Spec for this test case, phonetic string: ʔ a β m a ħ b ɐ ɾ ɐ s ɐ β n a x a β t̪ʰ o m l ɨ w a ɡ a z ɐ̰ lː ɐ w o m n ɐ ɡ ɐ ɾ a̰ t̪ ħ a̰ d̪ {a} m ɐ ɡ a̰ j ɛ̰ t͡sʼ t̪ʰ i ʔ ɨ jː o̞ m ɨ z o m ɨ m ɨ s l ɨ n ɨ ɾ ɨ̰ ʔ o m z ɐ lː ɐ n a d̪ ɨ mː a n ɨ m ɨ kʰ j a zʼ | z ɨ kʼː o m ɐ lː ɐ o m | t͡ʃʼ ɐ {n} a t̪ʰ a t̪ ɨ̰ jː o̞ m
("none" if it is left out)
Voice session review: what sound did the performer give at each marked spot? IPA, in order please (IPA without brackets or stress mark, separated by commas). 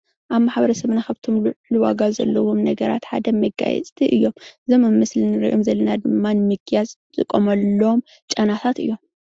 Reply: ɐ, n